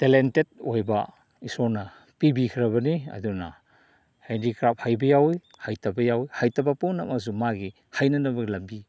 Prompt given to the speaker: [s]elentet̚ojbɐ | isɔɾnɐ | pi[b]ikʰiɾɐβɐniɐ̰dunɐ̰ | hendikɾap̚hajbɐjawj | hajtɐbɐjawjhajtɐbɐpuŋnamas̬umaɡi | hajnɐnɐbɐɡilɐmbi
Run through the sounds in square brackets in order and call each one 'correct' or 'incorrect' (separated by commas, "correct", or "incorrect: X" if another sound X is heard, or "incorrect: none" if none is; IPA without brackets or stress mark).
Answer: incorrect: t, correct